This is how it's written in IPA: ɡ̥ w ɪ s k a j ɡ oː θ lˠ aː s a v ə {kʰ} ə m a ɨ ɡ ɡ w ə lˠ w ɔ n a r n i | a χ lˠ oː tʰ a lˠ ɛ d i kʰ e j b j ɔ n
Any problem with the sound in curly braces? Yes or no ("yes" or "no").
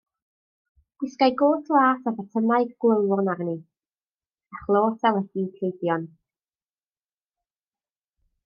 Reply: yes